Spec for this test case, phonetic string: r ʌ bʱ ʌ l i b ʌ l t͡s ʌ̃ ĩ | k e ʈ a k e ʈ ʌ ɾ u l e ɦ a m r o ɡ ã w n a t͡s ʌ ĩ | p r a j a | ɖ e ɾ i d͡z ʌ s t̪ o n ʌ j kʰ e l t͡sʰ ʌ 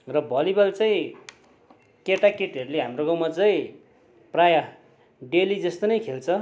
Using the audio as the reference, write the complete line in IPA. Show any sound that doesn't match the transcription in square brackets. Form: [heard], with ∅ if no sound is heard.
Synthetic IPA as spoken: r ʌ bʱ ʌ l i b ʌ l t͡s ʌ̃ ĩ | k e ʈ a k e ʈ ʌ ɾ u l e ɦ a m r o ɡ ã w [m] a t͡s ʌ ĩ | p r a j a | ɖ e [l] i d͡z ʌ s t̪ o n ʌ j kʰ e l t͡sʰ ʌ

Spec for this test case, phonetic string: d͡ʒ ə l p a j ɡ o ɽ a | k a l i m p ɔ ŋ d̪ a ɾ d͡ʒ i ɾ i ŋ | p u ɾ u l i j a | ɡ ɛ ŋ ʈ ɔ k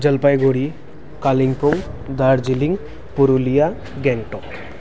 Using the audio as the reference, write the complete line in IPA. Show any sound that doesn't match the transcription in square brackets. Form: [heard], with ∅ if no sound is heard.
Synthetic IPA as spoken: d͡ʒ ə l p a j ɡ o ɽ [i] | k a l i [ŋ] p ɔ ŋ d̪ a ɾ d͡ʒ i [l] i ŋ | p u ɾ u l i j a | ɡ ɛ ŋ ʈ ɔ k

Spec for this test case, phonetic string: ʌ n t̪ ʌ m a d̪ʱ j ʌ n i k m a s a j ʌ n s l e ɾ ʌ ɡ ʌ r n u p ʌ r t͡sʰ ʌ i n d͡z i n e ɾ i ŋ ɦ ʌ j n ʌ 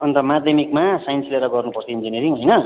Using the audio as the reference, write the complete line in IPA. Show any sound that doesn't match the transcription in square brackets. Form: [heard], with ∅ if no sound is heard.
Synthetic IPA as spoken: ʌ n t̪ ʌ m a d̪ʱ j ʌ [m] i k m a s a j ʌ n s l e ɾ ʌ ɡ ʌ r n u p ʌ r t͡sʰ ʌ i n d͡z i n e ɾ i ŋ ɦ ʌ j n ʌ

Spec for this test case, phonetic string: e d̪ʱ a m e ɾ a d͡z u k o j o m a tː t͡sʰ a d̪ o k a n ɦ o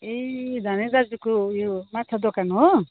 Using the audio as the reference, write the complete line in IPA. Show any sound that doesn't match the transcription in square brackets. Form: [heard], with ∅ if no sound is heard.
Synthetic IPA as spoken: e d̪ʱ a [n] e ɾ a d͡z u k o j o m a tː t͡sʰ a d̪ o k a n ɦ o

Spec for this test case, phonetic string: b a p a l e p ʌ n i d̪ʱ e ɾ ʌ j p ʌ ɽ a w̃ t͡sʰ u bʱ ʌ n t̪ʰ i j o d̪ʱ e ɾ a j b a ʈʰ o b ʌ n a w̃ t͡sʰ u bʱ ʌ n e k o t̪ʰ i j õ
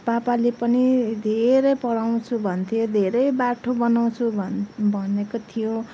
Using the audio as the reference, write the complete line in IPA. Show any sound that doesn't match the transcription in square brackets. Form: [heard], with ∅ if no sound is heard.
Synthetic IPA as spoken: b a p a l e p ʌ n i d̪ʱ e ɾ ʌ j p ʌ ɽ a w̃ t͡sʰ u bʱ ʌ n t̪ʰ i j o d̪ʱ e ɾ [ʌ] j b a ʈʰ o b ʌ n a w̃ t͡sʰ u bʱ ʌ n e k o t̪ʰ i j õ

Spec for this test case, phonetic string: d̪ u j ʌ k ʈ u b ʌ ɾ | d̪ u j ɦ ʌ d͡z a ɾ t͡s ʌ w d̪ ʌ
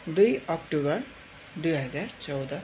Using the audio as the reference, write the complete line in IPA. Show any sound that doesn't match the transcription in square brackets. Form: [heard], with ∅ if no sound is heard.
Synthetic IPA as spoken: d̪ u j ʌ k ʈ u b ʌ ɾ | d̪ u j ɦ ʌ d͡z a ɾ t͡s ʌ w d̪ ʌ

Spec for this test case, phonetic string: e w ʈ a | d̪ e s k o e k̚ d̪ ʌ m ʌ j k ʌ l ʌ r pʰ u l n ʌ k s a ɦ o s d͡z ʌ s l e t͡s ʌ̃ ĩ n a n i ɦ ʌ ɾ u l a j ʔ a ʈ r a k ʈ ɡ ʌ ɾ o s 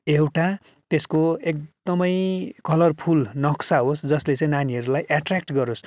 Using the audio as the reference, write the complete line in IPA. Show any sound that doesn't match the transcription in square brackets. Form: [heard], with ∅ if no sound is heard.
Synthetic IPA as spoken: e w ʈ a | [t̪] e s k o e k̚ d̪ ʌ m ʌ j k ʌ l ʌ r pʰ u l n ʌ k s a ɦ o s d͡z ʌ s l e t͡s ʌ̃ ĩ n a n i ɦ ʌ ɾ u l a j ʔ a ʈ r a k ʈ ɡ ʌ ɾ o s

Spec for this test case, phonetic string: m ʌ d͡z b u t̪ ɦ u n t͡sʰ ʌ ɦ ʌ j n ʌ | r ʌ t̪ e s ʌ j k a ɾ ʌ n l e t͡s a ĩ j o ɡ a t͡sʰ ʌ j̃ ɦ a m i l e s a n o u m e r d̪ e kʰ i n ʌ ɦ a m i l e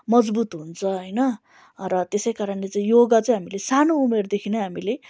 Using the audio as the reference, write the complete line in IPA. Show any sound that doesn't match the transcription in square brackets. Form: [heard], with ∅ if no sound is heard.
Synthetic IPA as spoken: m ʌ d͡z b u t̪ ɦ u n t͡sʰ ʌ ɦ ʌ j n ʌ | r ʌ t̪ e s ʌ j k a ɾ ʌ n l e t͡s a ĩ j o ɡ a [t͡s] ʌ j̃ ɦ a m i l e s a n o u m e r d̪ e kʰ i n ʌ ɦ a m i l e

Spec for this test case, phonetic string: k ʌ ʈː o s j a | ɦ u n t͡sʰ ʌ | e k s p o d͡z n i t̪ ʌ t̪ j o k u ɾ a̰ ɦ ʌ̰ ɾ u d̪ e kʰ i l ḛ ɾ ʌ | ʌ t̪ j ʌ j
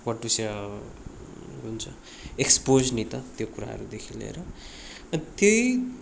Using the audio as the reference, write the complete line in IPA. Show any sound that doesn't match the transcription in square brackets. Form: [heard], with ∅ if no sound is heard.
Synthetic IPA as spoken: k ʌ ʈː [u] s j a | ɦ u n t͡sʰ ʌ | e k s p o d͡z n i t̪ ʌ t̪ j o k u ɾ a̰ ɦ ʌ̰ ɾ u d̪ e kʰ i l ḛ ɾ ʌ | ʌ t̪ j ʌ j

